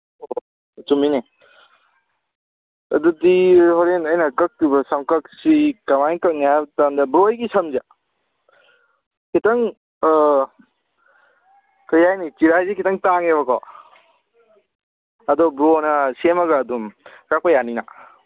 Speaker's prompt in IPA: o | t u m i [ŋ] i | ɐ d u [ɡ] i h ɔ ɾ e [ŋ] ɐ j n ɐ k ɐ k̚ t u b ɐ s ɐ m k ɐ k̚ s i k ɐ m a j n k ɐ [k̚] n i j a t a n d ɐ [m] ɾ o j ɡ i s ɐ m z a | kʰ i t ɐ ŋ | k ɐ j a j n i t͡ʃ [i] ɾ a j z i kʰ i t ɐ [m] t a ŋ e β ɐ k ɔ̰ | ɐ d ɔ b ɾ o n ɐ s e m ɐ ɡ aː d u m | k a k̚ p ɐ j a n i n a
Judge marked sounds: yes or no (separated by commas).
no, no, no, yes, no, yes, no